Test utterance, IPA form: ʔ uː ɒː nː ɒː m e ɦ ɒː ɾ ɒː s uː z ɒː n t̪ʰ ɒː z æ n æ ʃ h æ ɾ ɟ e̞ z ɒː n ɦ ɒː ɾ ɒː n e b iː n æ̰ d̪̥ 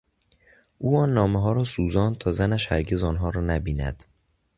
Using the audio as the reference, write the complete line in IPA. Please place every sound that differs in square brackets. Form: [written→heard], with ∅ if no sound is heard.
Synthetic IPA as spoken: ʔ uː ɒː nː ɒː m e ɦ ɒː ɾ ɒː s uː z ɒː n t̪ʰ ɒː z æ n æ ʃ h æ ɾ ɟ e̞ z ɒː n ɦ ɒː ɾ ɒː n [e→æ] b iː n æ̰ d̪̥